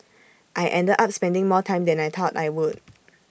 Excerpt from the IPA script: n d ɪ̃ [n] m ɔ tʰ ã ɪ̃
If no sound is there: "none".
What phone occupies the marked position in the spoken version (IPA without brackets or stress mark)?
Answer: ŋ